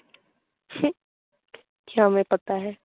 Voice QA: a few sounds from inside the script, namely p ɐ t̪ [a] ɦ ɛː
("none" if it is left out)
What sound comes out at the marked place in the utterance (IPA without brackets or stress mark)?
a